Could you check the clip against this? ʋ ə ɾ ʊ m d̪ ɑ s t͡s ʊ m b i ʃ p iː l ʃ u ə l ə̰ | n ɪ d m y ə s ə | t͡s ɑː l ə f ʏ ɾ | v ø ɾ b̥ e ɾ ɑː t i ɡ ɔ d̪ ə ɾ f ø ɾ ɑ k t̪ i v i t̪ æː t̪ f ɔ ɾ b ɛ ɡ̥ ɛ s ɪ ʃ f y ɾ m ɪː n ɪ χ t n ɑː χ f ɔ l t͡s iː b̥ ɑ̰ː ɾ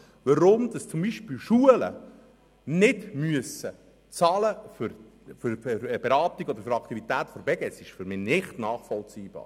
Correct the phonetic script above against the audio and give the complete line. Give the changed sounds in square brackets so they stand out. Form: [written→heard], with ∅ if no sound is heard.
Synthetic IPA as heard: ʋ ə ɾ ʊ m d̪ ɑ s t͡s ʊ m b i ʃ p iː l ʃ u ə l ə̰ | n ɪ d m y ə s ə | t͡s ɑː l ə f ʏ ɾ | [v→f] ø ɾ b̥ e ɾ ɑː t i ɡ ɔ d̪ ə ɾ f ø ɾ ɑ k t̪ i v i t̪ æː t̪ f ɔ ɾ b ɛ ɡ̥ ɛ s ɪ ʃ f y ɾ m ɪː n ɪ χ t n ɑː χ f ɔ l t͡s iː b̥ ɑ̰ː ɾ